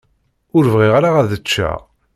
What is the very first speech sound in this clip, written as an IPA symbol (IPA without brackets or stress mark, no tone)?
ʊ